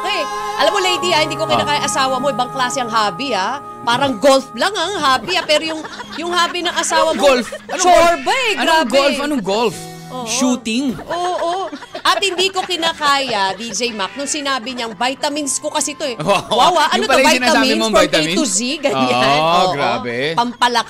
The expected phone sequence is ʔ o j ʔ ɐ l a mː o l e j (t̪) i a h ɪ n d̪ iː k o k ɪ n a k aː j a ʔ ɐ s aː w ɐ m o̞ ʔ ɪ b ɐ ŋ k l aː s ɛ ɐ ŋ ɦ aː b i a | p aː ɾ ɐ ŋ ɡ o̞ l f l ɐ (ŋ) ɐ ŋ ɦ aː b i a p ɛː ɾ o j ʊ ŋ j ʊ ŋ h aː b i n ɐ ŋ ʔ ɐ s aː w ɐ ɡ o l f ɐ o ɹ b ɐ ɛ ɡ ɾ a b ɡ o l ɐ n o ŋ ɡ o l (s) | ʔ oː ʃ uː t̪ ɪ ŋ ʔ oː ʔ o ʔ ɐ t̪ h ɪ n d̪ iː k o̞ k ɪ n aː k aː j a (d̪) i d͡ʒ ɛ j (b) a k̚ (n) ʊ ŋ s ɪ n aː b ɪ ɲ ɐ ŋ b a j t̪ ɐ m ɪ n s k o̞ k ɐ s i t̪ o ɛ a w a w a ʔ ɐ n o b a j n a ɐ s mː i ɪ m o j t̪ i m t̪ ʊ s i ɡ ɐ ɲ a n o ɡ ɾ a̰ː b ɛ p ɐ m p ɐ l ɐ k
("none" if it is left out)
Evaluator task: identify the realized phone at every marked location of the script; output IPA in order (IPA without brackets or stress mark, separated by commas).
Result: d̪, ŋ, f, d̪, m, n